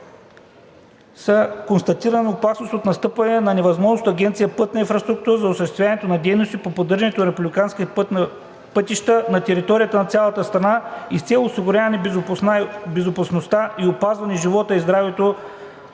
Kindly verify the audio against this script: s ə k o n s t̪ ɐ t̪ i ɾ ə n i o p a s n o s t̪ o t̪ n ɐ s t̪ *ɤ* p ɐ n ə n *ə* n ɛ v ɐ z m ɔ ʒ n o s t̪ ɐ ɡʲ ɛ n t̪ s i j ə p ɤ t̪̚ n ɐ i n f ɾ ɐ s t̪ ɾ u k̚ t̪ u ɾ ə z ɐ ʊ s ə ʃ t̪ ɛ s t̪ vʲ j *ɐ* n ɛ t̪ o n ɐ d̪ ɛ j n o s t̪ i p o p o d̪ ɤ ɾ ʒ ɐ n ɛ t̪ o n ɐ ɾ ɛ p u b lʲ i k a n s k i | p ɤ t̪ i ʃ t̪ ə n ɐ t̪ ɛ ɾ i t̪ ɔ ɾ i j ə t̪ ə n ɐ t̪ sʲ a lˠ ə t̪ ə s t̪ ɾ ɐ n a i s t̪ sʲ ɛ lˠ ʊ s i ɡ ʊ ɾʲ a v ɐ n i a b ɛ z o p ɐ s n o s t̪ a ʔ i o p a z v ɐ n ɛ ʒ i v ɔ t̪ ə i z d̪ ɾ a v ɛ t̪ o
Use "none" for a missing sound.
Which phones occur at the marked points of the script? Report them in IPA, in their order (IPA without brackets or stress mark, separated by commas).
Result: ɤ, ɐ, a